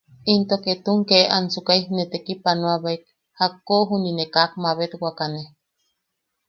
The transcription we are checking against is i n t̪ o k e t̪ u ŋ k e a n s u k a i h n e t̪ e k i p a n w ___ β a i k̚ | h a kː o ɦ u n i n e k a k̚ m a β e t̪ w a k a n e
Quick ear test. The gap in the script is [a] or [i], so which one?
a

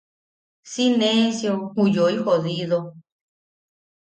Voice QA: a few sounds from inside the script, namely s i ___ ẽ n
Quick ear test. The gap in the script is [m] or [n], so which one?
n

